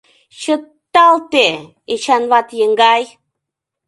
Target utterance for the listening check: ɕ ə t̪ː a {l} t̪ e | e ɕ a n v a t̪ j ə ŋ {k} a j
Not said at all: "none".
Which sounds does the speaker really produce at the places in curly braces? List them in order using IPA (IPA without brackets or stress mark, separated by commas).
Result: l, ɡ